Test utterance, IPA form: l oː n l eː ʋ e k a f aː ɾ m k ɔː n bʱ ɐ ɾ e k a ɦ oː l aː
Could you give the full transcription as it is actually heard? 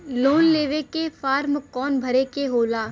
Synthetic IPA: l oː n l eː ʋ e k e f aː ɾ m k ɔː n bʱ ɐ ɾ e k e ɦ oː l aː